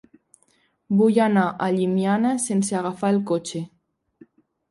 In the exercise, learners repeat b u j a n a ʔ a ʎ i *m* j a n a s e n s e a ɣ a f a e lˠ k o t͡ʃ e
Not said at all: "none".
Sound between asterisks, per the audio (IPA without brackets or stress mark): m